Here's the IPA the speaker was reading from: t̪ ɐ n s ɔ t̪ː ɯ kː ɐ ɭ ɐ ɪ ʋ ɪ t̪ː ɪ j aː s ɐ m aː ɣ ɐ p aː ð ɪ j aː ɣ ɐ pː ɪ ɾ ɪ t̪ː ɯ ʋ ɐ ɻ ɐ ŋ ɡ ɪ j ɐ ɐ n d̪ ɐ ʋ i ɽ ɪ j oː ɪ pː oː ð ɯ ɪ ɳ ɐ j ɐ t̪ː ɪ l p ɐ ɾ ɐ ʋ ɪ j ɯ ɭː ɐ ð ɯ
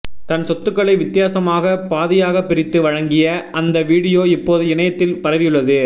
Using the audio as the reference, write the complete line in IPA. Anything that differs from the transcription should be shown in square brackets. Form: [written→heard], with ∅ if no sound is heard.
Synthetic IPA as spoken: t̪ ɐ n s ɔ t̪ː ɯ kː ɐ ɭ ɐ ɪ ʋ ɪ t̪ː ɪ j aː s ɐ m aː ɣ ɐ p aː ð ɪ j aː ɣ ɐ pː ɪ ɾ ɪ t̪ː ɯ ʋ ɐ ɻ ɐ ŋ ɡ ɪ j ɐ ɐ n d̪ ɐ ʋ [i→iː] ɽ ɪ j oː ɪ pː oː ð ɯ ɪ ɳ ɐ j ɐ t̪ː ɪ l p ɐ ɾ ɐ ʋ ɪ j ɯ ɭː ɐ ð ɯ